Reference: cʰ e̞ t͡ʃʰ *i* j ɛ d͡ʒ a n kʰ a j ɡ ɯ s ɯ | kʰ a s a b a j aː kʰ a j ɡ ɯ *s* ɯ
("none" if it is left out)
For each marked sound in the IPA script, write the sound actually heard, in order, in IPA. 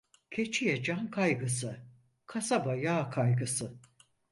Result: i, s

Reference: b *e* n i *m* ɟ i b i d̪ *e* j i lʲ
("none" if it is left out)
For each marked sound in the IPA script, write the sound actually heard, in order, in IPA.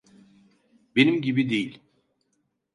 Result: e, m, e

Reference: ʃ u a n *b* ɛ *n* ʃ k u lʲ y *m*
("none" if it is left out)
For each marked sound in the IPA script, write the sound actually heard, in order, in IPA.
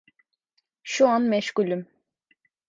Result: m, none, m

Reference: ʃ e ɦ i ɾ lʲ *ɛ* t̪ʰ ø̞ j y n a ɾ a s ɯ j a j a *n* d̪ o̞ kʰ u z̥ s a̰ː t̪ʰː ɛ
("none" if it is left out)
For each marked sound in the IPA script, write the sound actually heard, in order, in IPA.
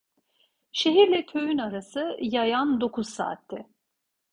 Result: ɛ, n

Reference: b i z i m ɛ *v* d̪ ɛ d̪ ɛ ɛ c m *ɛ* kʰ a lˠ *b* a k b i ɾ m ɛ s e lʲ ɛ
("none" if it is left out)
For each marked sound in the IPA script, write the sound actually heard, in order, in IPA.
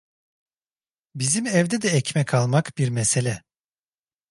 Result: v, ɛ, m

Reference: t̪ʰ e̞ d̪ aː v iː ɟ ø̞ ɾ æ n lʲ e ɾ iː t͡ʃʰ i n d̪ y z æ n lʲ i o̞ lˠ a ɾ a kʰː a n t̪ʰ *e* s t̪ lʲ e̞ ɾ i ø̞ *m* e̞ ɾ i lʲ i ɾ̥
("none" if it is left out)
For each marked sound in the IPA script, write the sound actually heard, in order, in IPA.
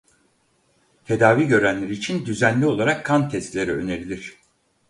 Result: ɛ, n

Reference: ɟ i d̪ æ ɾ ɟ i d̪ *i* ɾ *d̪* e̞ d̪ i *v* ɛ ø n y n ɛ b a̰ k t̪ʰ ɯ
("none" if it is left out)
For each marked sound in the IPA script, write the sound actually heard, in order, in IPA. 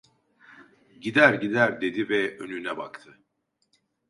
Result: æ, d̪, v

